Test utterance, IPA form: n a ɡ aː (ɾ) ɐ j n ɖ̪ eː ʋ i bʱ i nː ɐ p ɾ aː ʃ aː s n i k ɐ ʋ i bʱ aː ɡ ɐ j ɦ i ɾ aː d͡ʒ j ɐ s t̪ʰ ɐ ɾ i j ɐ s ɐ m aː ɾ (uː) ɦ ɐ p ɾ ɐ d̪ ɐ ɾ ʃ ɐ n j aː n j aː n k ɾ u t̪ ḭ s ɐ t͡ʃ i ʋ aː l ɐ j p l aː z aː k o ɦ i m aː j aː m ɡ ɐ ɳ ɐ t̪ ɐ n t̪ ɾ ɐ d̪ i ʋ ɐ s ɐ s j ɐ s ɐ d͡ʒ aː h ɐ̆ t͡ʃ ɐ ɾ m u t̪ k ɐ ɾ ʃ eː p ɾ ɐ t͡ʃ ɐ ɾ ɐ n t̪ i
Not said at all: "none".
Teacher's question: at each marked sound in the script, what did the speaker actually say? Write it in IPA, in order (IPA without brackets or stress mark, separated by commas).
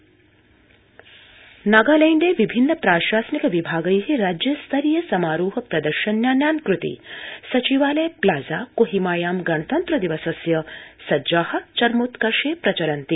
l, uː